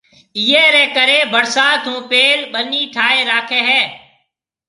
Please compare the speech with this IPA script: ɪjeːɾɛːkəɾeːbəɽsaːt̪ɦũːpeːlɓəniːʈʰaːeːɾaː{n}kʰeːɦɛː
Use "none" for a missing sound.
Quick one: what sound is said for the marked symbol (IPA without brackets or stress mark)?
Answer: none